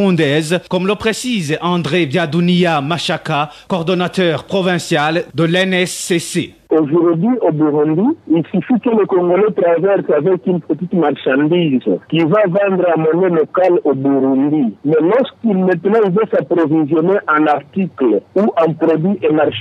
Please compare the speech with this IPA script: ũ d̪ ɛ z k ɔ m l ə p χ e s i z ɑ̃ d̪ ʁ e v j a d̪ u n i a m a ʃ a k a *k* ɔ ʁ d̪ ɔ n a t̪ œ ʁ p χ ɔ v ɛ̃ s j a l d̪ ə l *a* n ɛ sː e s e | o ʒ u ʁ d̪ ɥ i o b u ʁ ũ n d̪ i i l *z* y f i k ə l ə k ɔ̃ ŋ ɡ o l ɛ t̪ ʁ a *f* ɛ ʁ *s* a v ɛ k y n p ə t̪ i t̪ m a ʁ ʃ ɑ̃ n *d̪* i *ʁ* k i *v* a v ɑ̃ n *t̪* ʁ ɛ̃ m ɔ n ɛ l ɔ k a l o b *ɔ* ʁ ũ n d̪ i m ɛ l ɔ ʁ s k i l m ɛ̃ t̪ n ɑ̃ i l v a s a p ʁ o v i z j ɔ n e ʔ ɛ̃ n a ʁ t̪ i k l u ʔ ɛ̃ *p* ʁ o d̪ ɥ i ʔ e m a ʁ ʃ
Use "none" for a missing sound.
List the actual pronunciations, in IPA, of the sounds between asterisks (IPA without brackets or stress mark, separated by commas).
k, ɛ, s, v, s, d̪, z, v, d̪, u, p